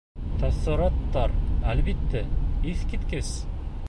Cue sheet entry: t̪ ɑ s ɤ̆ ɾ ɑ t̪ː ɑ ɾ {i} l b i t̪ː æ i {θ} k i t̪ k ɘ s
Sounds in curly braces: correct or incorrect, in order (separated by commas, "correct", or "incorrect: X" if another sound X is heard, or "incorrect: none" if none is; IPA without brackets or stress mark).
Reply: incorrect: æ, correct